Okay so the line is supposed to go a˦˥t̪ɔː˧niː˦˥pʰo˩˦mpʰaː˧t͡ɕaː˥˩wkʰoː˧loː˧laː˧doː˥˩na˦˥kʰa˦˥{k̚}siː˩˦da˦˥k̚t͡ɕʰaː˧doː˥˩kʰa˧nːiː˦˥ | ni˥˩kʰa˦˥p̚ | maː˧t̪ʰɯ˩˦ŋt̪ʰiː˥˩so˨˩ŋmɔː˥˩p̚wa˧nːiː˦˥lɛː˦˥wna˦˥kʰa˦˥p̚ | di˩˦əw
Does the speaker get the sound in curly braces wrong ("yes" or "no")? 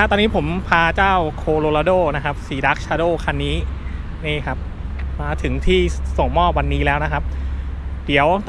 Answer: yes